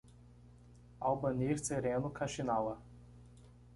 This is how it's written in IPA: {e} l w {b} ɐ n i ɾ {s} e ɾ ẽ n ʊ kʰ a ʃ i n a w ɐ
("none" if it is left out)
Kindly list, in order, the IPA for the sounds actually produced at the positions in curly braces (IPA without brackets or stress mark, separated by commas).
a, b, s